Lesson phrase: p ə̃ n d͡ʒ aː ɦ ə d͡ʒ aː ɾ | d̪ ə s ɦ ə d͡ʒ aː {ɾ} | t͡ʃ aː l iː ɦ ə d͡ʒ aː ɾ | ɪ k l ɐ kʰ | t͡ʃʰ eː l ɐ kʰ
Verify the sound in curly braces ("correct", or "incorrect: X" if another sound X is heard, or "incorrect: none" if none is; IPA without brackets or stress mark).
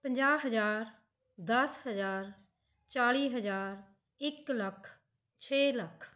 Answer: correct